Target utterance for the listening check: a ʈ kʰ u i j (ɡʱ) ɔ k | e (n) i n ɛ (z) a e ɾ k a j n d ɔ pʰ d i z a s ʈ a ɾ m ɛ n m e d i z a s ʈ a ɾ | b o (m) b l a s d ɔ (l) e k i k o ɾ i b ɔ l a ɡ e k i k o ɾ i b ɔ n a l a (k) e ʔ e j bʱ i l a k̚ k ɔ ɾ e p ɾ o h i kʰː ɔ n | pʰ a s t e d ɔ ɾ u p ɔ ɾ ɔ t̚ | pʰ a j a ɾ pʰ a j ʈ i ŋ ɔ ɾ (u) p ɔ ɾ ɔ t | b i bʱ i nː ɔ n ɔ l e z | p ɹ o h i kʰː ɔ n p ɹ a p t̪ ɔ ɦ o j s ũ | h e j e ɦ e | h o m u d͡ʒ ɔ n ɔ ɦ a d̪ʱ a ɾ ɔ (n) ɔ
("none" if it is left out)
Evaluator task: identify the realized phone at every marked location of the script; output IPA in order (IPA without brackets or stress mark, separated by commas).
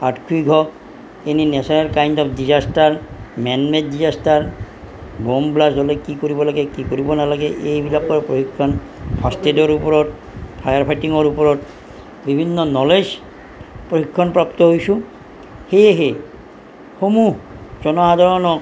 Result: ɡʱ, n, s, m, l, ɡ, u, n